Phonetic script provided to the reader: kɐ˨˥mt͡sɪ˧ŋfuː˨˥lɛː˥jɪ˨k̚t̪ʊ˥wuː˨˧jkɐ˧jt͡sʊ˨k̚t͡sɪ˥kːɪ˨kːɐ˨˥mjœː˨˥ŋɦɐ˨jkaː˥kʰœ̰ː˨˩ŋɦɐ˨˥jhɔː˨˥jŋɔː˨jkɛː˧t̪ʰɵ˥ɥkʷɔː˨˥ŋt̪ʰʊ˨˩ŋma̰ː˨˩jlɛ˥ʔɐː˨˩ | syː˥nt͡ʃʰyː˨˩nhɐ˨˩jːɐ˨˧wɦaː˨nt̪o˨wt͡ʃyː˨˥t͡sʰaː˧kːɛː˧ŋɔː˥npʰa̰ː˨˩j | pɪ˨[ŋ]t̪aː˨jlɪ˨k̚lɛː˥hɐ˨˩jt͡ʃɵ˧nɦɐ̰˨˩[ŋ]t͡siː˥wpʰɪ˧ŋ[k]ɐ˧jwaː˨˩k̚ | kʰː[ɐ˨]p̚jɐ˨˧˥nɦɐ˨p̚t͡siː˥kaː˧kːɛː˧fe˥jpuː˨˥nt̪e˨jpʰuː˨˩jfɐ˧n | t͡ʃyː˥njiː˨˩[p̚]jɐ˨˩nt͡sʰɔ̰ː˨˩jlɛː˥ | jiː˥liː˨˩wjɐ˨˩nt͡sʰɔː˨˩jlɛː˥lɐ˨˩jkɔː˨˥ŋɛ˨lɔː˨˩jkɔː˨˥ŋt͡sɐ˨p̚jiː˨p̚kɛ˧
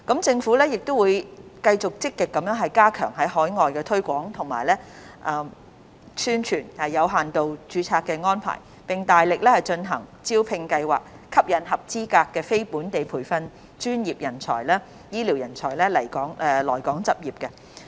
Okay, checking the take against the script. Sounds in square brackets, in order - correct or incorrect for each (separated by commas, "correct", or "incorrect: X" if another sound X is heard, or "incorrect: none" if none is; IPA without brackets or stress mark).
correct, correct, correct, incorrect: ɐ˥, correct